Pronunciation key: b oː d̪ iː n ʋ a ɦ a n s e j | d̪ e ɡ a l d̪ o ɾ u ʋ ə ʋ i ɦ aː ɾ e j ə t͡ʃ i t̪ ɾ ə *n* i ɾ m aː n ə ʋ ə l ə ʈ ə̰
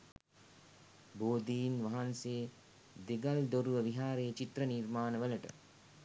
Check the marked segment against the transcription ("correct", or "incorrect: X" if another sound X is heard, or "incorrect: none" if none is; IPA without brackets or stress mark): correct